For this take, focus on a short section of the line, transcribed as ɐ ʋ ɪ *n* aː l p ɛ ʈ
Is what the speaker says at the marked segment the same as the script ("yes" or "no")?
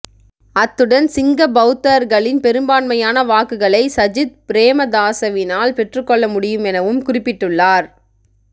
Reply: yes